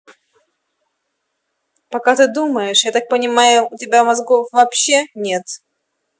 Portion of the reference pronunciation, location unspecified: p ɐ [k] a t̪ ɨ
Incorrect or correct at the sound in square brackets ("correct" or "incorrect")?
correct